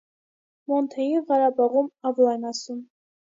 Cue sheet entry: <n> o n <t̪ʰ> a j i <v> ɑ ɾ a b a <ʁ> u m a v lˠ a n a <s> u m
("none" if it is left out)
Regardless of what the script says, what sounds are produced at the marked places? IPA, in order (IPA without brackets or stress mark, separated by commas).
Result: m, t̪ʰ, ʁ, ʁ, s